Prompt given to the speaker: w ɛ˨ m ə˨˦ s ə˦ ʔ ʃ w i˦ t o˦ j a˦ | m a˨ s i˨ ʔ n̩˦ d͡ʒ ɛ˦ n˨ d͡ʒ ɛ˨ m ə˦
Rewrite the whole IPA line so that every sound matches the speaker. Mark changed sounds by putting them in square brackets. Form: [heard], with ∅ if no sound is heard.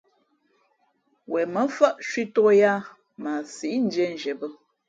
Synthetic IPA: w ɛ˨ m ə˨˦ [f] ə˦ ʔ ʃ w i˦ t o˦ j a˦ | m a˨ s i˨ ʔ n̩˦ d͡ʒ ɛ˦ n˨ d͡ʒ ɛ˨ [b] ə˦